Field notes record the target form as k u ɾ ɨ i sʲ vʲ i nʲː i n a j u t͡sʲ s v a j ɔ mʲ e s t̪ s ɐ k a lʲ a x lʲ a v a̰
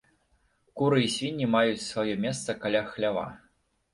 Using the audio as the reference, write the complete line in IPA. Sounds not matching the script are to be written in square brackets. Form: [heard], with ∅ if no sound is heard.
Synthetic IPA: k u ɾ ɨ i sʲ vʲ i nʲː i [m] a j u t͡sʲ s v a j ɔ mʲ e s t̪ s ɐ k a lʲ a x lʲ a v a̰